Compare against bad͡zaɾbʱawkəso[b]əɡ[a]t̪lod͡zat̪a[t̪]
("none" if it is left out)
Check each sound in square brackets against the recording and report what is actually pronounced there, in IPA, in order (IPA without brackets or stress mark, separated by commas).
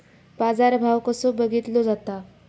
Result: b, i, none